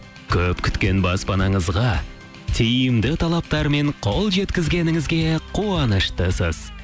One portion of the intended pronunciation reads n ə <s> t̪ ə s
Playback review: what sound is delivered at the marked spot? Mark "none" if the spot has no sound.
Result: ʃ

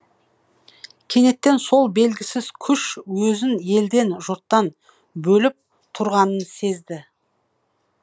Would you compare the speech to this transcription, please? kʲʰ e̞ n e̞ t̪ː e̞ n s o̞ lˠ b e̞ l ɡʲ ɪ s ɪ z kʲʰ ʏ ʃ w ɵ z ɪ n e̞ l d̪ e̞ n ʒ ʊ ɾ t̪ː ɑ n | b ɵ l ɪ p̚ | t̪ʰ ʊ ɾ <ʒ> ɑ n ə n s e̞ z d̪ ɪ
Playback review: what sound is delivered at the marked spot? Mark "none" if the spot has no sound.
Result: ʁ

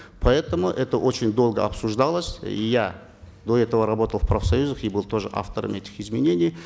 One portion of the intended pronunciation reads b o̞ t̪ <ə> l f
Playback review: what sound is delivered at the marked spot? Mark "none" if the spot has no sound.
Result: ə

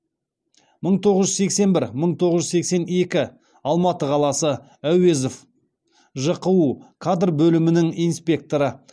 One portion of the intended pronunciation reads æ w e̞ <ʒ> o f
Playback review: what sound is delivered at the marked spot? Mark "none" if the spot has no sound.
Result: z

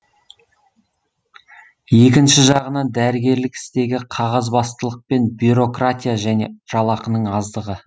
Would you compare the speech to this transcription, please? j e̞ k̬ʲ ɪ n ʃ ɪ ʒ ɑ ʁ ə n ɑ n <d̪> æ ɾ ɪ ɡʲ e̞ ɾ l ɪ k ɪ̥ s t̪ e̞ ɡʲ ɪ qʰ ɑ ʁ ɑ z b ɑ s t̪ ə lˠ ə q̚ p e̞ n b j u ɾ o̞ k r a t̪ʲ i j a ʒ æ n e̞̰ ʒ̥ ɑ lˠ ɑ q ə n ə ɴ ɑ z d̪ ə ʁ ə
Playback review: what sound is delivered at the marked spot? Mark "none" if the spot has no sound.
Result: d̪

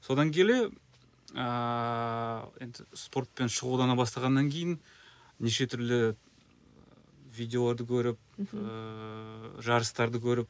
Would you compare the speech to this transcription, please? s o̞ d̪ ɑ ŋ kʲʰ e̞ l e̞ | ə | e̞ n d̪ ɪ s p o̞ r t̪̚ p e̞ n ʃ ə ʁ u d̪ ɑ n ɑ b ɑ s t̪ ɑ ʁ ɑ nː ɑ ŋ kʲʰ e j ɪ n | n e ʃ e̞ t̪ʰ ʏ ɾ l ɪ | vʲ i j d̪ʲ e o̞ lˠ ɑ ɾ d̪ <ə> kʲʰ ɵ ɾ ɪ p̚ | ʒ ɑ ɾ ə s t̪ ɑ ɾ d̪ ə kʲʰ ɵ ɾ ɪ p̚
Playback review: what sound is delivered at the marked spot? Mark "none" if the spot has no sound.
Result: ə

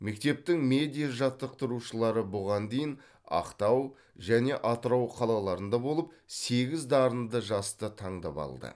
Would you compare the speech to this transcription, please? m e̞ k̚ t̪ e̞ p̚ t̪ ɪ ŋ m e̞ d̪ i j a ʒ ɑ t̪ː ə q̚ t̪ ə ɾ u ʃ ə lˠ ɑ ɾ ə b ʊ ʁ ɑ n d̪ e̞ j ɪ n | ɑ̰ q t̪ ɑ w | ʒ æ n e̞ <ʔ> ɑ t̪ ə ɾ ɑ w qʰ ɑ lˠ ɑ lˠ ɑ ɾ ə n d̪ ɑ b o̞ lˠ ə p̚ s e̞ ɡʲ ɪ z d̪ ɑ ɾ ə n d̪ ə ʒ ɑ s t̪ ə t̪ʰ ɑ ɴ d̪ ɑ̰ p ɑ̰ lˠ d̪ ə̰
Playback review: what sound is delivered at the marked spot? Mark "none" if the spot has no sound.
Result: ʔ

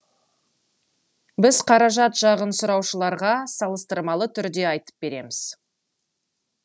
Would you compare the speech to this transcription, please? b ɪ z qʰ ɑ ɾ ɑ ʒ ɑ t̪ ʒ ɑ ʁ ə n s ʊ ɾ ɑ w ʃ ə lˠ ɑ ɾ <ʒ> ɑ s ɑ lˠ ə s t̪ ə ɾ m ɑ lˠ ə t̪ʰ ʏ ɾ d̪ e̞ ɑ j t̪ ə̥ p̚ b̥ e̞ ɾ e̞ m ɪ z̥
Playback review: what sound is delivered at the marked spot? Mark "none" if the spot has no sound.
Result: ʁ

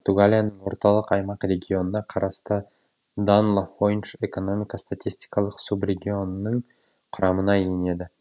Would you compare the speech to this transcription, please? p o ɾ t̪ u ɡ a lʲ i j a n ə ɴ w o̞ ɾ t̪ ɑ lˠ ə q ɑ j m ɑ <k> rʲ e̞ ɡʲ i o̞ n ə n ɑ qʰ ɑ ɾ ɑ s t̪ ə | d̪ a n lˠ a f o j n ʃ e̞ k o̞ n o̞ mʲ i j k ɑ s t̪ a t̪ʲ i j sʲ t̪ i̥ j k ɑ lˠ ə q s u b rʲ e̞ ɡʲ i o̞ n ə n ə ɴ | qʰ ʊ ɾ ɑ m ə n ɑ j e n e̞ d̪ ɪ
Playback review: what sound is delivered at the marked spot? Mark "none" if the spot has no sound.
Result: q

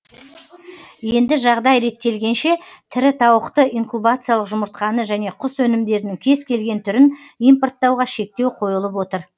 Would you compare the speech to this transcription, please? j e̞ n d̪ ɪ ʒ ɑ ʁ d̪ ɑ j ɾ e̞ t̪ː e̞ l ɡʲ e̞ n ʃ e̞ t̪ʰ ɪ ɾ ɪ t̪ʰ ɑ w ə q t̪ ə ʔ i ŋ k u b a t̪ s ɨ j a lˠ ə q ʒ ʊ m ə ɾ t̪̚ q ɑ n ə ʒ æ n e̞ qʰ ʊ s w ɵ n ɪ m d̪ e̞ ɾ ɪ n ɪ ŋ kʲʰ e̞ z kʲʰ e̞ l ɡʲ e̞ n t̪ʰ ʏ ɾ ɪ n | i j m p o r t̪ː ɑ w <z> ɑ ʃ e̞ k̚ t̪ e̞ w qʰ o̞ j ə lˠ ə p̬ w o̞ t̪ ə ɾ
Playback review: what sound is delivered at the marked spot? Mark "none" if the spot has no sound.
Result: ʁ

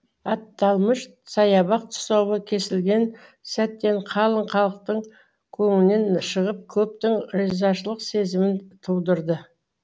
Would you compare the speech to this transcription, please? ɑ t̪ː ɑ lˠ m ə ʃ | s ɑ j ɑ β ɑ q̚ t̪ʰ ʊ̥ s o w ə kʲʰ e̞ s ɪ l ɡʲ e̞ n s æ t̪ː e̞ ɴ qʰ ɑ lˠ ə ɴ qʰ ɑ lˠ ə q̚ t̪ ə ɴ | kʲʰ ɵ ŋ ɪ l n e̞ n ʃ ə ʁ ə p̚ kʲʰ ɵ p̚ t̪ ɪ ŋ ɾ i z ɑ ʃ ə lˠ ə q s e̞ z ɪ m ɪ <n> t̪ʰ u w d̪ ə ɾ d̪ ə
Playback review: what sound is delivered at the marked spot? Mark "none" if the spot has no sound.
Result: n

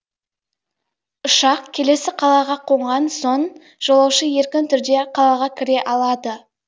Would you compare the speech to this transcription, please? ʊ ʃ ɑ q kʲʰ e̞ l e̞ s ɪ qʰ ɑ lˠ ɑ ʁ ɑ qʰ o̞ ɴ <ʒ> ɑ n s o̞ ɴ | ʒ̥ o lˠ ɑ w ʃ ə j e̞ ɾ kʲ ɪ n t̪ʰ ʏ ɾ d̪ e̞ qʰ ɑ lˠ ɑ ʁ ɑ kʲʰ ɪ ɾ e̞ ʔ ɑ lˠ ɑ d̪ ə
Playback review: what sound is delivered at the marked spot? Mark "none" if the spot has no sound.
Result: ʁ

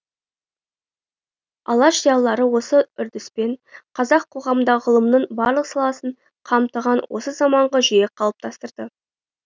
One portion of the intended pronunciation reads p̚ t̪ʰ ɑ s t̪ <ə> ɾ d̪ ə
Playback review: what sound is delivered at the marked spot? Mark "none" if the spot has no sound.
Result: ə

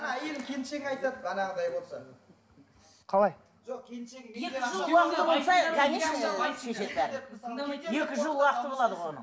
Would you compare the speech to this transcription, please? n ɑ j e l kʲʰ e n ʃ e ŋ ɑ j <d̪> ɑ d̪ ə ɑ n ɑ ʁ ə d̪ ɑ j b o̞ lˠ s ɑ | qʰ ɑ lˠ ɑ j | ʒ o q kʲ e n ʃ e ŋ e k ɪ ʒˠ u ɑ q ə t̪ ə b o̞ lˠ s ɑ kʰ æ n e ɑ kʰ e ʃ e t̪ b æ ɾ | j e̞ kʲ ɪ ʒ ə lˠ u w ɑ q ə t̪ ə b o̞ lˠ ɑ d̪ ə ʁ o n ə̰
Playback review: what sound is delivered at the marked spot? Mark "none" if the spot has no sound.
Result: t̪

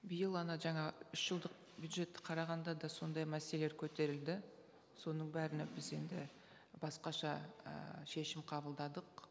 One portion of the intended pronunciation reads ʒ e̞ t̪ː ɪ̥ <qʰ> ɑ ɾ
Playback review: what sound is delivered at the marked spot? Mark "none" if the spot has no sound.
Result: qʰ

